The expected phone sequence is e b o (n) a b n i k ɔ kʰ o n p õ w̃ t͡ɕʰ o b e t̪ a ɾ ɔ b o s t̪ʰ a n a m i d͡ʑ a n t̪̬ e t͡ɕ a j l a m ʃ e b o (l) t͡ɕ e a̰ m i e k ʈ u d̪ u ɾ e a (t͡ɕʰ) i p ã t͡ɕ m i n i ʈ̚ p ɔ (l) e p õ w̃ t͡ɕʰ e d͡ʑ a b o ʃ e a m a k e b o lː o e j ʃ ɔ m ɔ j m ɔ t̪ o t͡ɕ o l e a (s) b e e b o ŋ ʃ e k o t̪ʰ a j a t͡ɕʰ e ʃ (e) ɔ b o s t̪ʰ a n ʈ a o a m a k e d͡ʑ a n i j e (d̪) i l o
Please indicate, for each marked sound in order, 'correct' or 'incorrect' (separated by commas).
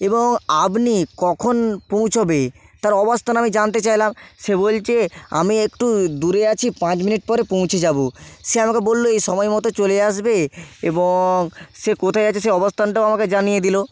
incorrect, correct, correct, incorrect, incorrect, correct, correct